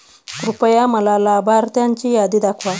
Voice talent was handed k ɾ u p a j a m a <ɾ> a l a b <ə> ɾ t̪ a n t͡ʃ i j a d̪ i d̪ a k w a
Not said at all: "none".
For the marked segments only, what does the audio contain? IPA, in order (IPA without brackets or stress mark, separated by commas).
l, a